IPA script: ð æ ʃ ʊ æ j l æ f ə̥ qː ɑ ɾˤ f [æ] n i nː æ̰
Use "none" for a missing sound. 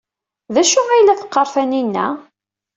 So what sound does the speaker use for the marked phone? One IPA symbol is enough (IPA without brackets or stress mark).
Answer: æ